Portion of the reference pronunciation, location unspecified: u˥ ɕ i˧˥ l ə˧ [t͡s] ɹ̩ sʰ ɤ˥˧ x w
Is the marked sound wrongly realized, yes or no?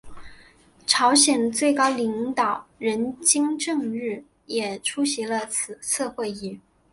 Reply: yes